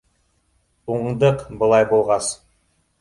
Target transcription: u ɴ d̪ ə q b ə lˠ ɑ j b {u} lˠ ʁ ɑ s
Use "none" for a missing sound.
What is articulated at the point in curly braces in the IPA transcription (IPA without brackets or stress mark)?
o